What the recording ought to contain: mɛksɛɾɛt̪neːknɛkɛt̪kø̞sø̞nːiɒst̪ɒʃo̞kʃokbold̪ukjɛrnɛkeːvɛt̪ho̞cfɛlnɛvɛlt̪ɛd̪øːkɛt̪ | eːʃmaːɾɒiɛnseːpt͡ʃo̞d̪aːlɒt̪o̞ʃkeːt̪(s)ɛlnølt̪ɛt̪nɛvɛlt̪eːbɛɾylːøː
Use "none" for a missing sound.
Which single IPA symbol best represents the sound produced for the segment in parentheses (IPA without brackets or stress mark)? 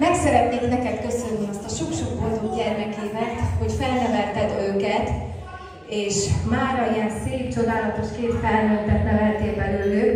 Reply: f